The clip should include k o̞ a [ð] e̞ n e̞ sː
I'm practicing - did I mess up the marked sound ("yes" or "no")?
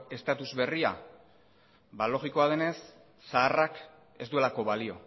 no